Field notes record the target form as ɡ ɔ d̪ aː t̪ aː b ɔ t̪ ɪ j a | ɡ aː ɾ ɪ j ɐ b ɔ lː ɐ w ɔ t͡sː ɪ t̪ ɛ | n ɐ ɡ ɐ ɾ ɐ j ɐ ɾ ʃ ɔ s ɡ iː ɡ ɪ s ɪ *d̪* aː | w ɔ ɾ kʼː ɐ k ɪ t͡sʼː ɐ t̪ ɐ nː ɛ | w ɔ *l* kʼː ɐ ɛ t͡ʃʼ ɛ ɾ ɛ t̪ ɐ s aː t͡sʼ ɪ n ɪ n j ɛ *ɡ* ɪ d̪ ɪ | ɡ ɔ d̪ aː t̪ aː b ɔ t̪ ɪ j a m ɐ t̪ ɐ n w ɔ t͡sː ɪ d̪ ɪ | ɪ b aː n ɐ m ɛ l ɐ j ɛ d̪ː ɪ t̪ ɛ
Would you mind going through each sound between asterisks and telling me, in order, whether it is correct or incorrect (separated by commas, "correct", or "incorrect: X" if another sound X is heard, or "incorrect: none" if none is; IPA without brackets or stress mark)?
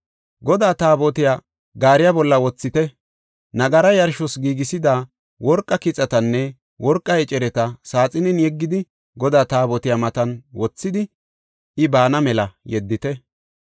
correct, incorrect: ɾ, incorrect: ɡː